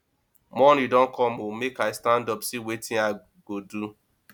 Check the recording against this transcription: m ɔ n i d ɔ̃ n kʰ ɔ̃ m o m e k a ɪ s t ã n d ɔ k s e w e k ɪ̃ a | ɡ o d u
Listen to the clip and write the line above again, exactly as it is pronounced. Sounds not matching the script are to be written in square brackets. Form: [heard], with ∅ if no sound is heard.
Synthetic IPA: m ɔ n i d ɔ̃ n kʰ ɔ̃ m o m e k a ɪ s t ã n d ɔ [p] s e w e [t] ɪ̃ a | ɡ o d u